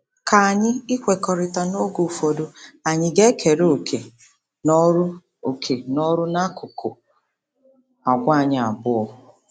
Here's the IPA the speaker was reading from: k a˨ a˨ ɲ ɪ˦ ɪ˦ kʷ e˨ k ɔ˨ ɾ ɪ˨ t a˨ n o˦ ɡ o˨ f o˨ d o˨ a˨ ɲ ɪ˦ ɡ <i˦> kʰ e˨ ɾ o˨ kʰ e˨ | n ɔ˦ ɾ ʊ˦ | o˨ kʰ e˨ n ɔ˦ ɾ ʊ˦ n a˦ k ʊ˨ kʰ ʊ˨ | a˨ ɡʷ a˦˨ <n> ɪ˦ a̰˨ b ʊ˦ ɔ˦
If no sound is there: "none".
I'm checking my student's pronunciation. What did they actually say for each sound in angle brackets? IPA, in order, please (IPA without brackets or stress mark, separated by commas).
e˦, ɲ